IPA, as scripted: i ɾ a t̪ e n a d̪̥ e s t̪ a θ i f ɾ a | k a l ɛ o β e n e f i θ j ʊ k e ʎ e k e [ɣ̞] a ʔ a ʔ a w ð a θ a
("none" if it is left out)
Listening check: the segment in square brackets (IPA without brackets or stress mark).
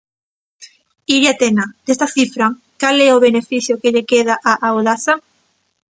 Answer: ð̞